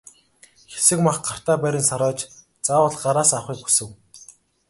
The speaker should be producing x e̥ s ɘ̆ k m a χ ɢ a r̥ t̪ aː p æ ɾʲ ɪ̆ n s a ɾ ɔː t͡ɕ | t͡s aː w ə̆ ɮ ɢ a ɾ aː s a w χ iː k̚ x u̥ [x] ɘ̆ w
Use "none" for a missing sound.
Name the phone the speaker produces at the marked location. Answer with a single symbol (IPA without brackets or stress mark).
s